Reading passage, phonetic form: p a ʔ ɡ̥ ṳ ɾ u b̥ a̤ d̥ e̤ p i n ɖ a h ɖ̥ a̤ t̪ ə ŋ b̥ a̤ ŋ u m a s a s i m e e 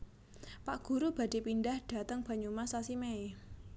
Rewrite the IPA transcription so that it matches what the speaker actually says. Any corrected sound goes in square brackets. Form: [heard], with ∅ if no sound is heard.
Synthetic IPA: p a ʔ ɡ̥ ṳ ɾ u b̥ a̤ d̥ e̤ p i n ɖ a h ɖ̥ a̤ t̪ ə ŋ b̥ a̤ [ɲ] u m a s a s i m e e